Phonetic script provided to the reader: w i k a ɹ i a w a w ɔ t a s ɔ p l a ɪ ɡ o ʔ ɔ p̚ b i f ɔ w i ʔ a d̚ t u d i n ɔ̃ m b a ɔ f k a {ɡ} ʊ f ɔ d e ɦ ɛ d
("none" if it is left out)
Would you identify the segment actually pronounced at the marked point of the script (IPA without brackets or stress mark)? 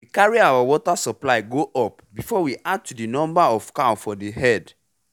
none